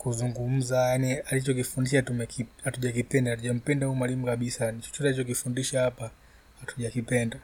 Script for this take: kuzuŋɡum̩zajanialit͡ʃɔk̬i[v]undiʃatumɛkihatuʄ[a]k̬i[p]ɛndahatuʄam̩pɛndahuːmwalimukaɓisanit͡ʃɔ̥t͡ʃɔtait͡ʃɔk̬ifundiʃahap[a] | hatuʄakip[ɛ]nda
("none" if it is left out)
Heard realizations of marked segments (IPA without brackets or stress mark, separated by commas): f, a, p, a, ɛ